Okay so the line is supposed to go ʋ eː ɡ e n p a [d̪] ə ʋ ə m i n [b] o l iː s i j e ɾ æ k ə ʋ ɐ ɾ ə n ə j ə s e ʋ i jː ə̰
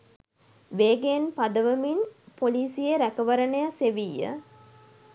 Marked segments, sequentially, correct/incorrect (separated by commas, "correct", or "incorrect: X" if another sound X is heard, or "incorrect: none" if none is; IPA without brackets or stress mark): correct, incorrect: p